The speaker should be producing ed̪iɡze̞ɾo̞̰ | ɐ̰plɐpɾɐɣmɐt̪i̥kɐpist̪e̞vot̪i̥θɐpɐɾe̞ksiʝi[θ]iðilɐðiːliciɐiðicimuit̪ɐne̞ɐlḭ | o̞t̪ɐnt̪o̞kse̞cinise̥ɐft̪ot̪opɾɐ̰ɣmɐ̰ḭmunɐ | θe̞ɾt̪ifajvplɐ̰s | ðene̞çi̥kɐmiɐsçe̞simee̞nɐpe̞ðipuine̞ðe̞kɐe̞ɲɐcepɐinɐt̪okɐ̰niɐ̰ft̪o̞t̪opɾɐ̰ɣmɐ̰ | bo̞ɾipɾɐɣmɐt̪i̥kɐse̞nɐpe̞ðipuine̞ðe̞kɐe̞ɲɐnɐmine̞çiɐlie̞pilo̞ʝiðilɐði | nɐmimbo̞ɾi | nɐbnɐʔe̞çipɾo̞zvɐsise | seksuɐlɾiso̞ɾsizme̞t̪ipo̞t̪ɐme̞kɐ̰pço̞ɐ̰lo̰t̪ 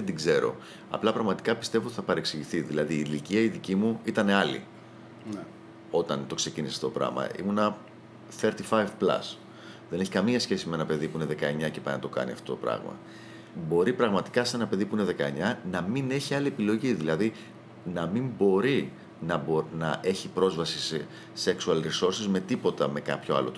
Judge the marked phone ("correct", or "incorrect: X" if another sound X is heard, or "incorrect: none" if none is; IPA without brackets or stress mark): correct